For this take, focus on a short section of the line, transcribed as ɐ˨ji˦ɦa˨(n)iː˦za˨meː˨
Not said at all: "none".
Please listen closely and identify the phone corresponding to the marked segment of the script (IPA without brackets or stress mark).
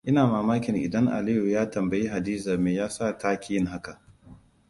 d